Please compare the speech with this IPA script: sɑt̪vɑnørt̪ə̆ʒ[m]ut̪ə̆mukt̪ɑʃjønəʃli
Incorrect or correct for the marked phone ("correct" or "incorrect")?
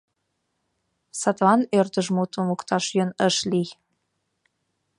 correct